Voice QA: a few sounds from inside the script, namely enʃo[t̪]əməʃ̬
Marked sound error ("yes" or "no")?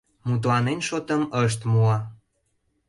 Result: no